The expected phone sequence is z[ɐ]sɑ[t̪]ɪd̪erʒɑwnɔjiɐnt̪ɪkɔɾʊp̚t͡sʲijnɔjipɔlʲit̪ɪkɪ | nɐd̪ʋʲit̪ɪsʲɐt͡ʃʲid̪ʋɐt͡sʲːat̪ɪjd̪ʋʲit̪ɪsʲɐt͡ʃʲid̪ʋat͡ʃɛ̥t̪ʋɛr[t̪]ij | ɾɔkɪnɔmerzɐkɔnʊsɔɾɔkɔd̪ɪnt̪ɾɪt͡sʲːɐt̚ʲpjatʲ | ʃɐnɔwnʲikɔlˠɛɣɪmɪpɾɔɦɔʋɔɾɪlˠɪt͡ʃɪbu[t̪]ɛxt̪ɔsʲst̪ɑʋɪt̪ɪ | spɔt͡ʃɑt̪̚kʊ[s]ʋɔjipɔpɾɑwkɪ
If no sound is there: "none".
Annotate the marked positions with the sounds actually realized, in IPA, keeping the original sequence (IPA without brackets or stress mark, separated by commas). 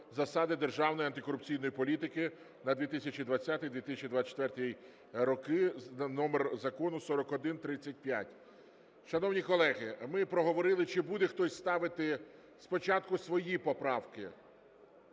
ɐ, d̪, t̪, d̪, s